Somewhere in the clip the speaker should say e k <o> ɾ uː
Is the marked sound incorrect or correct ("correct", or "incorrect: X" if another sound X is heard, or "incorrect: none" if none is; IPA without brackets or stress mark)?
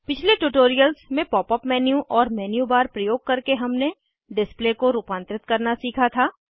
correct